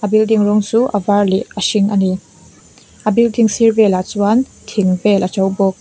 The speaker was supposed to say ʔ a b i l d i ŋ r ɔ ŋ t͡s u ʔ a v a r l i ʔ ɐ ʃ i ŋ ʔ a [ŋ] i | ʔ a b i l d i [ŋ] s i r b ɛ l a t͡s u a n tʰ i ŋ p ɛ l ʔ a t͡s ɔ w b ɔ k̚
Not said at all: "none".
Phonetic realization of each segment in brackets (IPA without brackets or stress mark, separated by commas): n, ŋ